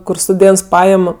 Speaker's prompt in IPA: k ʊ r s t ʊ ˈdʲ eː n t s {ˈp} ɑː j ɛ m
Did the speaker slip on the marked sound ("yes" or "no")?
no